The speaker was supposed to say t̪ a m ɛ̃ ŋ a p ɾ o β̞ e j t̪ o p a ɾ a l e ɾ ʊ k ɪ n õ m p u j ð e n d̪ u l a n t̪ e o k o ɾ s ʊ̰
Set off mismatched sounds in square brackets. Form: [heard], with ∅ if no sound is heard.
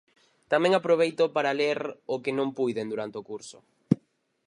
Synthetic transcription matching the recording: t̪ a m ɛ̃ ŋ a p ɾ o β̞ e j t̪ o p a ɾ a l e ɾ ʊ k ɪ n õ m p u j ð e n d̪ u [ɾ] a n t̪ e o k [u] ɾ s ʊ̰

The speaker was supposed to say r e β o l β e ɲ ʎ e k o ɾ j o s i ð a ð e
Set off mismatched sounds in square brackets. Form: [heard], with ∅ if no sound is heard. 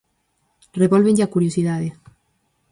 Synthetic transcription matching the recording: r e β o l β e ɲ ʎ [a] k [u] ɾ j o s i ð a ð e

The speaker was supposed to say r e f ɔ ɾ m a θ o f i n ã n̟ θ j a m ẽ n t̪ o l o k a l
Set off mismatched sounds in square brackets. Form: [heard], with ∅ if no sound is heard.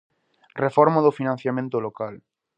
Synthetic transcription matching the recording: r e f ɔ ɾ m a [ð] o f i n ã n̟ θ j a m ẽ n t̪ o l o k a l

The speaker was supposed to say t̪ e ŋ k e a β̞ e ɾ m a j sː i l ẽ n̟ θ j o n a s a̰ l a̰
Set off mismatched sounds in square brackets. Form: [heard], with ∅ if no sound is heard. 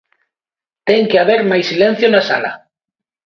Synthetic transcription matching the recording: t̪ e ŋ k e a β̞ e ɾ m a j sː i l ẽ n̟ θ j o n a s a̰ l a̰

